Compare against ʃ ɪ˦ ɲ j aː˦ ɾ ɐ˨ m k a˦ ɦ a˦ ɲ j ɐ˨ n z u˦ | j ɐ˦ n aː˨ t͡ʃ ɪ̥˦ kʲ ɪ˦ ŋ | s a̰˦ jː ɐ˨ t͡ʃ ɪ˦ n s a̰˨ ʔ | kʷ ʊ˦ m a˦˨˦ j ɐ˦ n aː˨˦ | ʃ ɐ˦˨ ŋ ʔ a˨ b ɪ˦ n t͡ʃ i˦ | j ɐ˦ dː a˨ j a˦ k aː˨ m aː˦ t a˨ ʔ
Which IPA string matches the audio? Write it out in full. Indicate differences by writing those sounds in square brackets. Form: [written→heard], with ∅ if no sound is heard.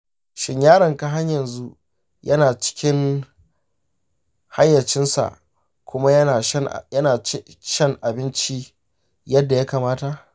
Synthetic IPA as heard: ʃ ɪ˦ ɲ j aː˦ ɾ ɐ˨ [m→ŋ] k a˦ ɦ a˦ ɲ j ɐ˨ n z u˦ | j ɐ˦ n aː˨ t͡ʃ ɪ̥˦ kʲ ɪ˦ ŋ | [s→h] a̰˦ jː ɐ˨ t͡ʃ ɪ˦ n s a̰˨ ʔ | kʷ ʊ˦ m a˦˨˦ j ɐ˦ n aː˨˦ | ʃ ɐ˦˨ ŋ ʔ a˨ b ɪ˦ n t͡ʃ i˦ | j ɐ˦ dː a˨ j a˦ k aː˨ m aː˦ t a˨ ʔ